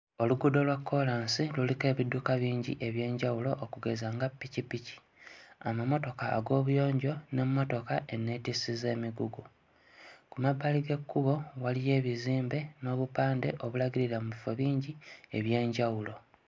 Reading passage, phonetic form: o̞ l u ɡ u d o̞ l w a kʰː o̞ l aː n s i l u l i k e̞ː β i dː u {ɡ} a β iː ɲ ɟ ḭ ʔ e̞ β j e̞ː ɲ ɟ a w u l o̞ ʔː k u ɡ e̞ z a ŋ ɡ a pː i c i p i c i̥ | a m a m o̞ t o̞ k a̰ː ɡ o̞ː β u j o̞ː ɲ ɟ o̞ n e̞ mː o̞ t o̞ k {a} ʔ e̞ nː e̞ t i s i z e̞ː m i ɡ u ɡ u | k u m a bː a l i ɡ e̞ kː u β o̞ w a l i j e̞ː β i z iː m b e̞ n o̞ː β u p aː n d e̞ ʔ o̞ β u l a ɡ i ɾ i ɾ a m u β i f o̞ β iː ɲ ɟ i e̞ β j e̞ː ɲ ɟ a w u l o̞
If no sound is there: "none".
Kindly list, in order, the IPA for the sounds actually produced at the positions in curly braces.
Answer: k, a

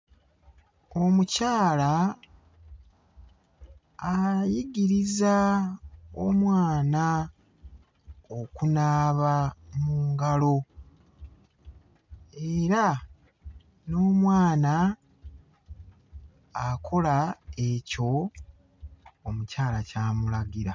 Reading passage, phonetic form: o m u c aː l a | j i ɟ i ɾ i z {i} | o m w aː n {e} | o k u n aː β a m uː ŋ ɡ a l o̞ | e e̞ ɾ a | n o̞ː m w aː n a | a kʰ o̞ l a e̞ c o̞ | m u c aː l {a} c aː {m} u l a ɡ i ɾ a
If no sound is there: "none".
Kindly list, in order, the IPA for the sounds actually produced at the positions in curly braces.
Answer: a, a, a, m

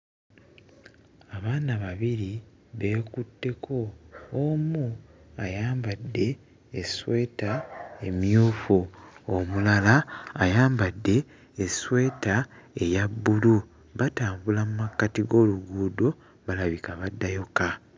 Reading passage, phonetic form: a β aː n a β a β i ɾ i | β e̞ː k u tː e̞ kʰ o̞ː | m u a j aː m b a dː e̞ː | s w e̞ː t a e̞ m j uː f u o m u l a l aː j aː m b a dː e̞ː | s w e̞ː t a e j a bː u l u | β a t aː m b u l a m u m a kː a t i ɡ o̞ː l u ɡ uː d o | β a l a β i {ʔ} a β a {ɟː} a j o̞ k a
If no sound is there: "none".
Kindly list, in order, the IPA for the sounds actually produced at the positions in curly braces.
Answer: k, dː

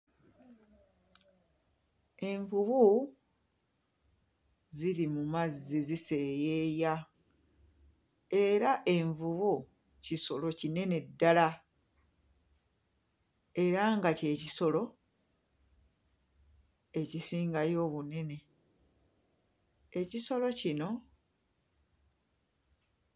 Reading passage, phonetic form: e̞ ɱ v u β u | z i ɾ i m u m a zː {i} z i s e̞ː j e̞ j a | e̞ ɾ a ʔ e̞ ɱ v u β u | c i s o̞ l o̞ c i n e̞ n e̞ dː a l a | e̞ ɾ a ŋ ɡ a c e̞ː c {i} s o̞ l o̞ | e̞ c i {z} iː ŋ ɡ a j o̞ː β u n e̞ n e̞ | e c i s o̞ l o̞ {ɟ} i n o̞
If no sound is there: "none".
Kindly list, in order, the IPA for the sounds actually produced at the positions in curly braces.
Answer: i, i, s, c

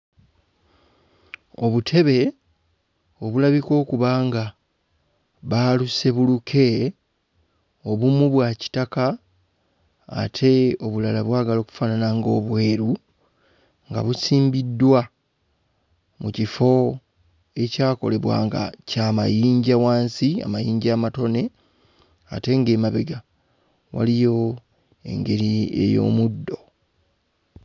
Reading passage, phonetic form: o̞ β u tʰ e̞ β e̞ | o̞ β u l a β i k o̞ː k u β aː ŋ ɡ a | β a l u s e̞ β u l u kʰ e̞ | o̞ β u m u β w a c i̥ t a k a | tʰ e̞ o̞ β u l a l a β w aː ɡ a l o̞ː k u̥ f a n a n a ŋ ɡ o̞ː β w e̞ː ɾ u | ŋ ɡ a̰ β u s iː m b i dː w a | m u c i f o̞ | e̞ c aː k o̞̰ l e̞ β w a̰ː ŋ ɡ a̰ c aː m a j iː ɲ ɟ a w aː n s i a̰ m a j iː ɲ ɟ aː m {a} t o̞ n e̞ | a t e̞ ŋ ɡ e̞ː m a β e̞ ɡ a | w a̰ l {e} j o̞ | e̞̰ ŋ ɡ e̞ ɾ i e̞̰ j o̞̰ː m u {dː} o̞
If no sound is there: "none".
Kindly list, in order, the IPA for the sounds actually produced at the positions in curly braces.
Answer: a, i, dː

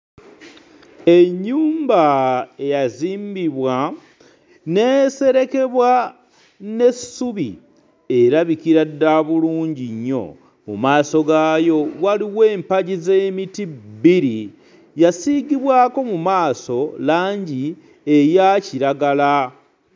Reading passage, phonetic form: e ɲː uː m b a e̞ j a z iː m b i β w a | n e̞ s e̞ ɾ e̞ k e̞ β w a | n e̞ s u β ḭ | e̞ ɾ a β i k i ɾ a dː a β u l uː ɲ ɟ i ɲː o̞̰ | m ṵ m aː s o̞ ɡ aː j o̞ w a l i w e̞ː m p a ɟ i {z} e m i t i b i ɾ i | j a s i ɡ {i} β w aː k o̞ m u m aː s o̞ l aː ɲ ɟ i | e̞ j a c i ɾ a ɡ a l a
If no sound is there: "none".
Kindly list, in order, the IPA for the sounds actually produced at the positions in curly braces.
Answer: z, i

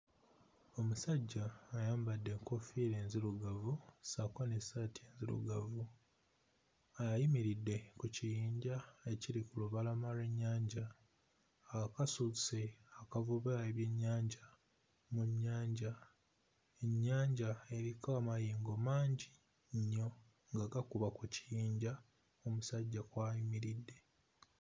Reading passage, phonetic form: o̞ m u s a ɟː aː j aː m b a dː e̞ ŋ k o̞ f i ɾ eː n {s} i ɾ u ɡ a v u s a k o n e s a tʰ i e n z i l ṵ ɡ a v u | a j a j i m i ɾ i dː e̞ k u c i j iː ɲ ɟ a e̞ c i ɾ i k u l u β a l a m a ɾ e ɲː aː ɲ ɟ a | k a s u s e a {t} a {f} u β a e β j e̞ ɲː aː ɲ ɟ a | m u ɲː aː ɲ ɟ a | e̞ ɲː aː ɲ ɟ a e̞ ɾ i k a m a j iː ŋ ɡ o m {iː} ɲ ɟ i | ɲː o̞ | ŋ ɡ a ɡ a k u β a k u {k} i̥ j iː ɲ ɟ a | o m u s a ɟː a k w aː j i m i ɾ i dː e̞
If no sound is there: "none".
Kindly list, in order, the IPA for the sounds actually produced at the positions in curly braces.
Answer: z, k, v, aː, c

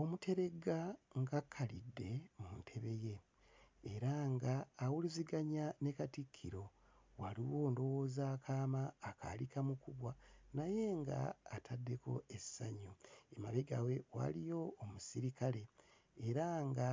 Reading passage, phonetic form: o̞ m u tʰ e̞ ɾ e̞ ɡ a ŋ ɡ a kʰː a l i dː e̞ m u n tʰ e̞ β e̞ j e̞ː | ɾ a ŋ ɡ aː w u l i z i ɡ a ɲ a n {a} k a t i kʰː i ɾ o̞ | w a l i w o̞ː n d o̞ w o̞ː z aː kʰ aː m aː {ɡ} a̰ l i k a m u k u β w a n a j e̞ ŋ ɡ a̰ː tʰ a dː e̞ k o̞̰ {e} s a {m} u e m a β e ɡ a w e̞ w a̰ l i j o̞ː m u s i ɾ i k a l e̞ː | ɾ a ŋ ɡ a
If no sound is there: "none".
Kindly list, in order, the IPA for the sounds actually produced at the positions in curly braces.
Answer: e, k, e, ɲ

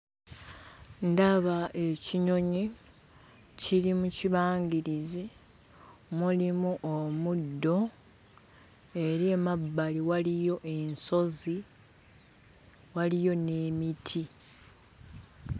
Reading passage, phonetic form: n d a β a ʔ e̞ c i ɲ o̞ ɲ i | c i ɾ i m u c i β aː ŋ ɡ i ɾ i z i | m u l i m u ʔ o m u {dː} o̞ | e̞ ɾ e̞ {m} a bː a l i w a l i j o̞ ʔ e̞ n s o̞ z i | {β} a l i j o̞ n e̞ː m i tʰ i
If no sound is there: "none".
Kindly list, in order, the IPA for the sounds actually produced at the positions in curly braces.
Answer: dː, m, w

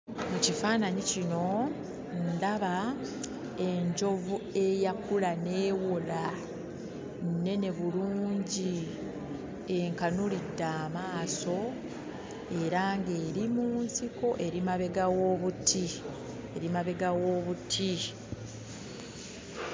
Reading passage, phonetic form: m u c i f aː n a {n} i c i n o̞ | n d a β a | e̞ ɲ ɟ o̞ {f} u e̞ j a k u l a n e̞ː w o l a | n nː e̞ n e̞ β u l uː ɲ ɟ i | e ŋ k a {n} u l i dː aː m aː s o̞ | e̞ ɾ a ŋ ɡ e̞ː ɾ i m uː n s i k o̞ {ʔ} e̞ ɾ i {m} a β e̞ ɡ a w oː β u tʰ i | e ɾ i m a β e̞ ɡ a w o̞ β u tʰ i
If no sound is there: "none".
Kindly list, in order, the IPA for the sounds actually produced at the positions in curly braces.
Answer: ɲ, v, n, ʔ, m

